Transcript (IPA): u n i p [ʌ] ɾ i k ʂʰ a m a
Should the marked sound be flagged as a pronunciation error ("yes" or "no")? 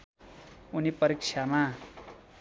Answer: no